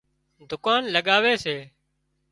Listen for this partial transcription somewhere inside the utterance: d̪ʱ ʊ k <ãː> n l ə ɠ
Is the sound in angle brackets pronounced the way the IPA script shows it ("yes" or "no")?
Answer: no